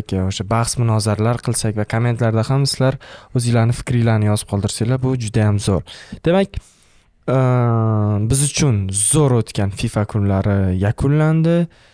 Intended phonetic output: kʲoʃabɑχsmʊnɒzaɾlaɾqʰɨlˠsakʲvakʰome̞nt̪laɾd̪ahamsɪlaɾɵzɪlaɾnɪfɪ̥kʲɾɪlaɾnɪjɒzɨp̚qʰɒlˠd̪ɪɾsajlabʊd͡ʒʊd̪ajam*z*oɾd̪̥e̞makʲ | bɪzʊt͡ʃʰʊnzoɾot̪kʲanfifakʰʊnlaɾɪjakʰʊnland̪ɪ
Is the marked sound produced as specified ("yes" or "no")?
yes